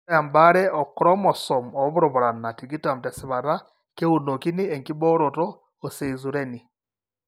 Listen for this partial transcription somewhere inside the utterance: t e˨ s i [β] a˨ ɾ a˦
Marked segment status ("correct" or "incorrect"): correct